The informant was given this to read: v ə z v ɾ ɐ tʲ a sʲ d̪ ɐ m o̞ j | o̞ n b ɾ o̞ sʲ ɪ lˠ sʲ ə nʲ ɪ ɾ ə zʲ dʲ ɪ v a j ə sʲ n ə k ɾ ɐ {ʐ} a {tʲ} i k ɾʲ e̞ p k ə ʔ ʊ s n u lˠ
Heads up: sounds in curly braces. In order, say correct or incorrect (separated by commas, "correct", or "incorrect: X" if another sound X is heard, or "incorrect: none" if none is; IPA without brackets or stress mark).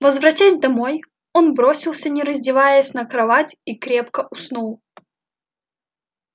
incorrect: v, correct